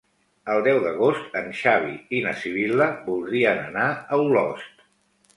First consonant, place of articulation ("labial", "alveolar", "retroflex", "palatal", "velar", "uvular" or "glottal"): alveolar